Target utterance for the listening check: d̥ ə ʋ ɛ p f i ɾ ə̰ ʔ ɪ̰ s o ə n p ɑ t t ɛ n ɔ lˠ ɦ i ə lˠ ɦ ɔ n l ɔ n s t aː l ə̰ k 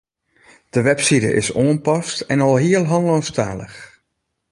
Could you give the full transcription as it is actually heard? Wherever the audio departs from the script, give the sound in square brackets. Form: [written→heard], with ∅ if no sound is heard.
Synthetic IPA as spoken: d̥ ə ʋ ɛ p [f→s] i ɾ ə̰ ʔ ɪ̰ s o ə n p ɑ [t→s] t ɛ n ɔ lˠ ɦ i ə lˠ ɦ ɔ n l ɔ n s t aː l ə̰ [k→x]